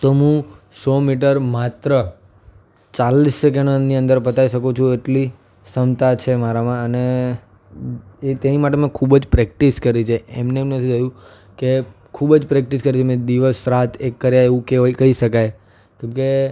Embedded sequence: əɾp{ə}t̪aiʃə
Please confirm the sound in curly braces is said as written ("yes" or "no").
yes